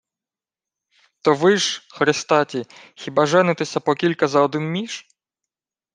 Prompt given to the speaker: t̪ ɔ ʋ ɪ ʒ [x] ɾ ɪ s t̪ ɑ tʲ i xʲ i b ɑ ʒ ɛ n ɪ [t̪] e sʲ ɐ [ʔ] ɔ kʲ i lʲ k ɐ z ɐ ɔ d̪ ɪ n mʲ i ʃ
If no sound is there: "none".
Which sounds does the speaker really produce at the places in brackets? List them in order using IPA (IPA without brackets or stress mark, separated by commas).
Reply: x, t̪, p